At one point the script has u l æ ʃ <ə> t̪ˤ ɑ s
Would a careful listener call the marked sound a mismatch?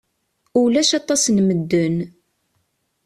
yes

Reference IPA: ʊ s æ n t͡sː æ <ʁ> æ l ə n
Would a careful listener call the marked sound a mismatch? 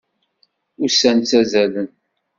yes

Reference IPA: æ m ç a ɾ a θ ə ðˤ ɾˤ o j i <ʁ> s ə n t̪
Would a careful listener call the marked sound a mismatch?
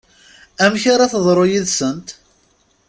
yes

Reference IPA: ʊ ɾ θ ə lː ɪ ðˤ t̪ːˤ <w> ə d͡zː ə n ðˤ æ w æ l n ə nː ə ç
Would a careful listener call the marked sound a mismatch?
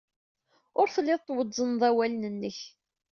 no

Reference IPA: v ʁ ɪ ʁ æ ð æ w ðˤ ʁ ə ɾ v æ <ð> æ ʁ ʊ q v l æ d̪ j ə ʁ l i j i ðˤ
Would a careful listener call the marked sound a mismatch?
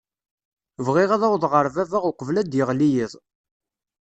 yes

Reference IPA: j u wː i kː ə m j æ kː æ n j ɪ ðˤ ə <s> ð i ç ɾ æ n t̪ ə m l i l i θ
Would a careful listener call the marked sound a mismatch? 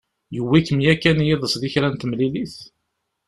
no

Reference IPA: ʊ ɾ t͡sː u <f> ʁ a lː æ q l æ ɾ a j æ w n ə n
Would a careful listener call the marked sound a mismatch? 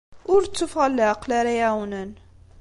no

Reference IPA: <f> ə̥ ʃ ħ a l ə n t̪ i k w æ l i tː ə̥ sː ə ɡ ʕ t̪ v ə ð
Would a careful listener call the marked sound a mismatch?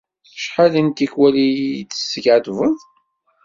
yes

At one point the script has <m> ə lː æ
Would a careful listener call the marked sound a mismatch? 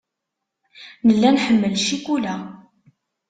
yes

